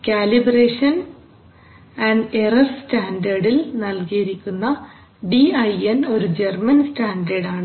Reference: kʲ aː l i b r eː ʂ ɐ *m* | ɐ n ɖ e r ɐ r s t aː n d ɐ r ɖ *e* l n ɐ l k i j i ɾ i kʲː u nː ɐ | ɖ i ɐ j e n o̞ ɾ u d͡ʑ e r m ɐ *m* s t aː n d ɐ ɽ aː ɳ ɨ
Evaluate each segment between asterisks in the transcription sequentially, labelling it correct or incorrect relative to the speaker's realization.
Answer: incorrect, incorrect, incorrect

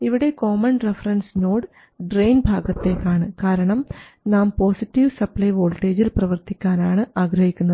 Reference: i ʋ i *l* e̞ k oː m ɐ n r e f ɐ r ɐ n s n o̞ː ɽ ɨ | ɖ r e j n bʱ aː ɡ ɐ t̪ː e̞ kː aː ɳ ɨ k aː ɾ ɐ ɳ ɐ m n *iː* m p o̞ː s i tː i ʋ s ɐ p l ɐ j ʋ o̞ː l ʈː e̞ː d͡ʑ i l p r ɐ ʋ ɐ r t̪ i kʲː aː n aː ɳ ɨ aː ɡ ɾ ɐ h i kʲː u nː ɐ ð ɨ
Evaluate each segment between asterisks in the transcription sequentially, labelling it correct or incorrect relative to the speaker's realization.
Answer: incorrect, incorrect

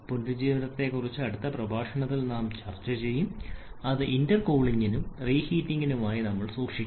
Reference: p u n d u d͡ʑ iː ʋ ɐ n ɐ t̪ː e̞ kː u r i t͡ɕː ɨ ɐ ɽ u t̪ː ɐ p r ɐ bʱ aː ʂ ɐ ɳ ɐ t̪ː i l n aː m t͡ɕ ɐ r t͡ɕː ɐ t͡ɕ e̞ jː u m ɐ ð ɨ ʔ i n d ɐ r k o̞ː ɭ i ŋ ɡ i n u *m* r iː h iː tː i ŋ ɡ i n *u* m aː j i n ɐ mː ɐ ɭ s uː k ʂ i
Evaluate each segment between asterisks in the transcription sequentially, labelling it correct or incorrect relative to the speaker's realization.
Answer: correct, correct

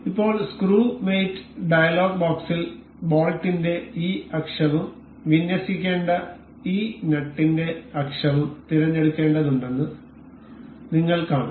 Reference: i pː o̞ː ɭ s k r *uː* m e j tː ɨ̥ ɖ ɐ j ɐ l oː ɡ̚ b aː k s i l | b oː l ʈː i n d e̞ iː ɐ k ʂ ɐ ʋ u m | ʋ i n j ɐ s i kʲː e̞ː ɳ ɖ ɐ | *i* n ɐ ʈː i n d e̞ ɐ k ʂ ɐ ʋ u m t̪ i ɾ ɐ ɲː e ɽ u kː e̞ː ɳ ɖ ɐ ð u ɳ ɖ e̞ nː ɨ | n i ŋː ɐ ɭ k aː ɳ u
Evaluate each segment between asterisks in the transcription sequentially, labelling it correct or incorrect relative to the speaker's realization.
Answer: correct, incorrect

